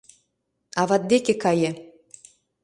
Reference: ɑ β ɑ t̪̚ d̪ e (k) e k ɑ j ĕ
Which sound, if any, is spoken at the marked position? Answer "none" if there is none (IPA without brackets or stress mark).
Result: k